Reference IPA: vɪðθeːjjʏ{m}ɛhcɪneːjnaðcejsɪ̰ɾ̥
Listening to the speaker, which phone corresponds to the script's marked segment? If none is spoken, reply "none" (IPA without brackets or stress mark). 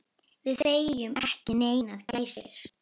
m